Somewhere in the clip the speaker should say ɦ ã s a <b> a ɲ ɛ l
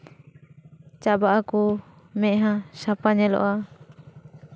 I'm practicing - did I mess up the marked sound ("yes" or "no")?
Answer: yes